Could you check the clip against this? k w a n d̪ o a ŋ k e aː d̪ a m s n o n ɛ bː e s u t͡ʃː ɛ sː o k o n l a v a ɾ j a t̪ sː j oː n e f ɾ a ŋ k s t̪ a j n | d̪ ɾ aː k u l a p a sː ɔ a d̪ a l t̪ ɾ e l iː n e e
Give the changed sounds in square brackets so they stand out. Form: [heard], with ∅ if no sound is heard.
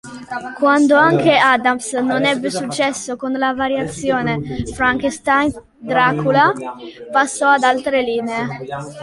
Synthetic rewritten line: k w a n d̪ o a ŋ k e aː d̪ a m s n o n ɛ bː e s u t͡ʃː ɛ sː o k o n l a v a ɾ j a t̪ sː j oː n e f ɾ a ŋ k s t̪ a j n | d̪ ɾ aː k u l a p a sː ɔ a d̪ a l t̪ ɾ e l iː n e e

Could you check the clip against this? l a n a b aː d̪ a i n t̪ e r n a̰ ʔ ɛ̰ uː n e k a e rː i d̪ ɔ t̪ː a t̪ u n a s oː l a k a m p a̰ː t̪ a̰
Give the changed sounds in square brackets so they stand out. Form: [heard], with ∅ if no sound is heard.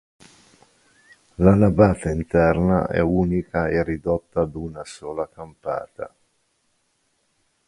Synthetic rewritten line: l a n a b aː [t̪] a i n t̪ [ɛ] r n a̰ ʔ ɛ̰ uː n [i] k a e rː i d̪ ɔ t̪ː a [d̪] u n a s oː l a k a m p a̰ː t̪ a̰

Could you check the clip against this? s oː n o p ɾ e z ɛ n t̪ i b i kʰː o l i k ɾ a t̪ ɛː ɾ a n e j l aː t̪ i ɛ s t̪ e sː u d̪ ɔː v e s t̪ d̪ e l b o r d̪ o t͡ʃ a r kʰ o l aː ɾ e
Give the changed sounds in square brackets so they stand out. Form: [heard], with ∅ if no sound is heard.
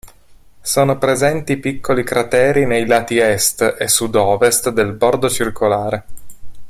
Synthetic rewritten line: s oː n o p ɾ e z ɛ n t̪ i [p] i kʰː o l i k ɾ a t̪ ɛː ɾ [i] n e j l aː t̪ i ɛ s t̪ e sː u d̪ ɔː v e s t̪ d̪ e l b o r d̪ o t͡ʃ [i] r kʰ o l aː ɾ e

